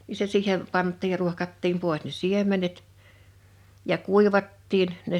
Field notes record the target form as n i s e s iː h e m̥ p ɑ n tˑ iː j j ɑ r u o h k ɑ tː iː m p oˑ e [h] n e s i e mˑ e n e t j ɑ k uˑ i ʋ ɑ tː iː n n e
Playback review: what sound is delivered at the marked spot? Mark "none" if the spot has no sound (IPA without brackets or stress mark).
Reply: s